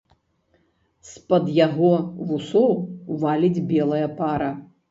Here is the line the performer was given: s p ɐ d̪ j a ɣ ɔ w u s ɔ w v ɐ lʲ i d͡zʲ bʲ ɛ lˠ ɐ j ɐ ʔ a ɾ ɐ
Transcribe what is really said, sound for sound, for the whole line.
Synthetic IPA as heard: s p ɐ d̪ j a ɣ ɔ v u s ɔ w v a lʲ i d͡zʲ bʲ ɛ lˠ ɐ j ɐ p a ɾ ɐ